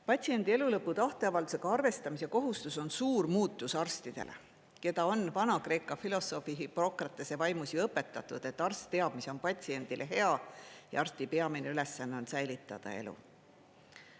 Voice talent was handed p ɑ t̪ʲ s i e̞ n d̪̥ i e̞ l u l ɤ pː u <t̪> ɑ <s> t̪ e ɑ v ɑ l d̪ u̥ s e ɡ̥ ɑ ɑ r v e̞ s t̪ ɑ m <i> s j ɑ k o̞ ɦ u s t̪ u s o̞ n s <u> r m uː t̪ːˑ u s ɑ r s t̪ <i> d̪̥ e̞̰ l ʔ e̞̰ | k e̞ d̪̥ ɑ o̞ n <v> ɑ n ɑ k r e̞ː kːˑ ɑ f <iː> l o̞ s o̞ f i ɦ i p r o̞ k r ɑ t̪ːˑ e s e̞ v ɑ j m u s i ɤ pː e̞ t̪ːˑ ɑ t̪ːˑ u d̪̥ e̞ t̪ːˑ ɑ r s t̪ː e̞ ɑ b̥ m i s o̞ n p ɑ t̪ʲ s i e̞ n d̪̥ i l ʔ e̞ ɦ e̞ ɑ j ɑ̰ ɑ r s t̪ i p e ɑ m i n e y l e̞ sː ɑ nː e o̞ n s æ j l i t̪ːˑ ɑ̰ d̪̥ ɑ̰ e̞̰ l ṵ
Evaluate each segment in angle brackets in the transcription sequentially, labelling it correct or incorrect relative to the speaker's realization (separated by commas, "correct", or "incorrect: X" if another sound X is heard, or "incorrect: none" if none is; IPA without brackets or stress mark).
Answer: correct, incorrect: h, correct, incorrect: uː, correct, correct, incorrect: i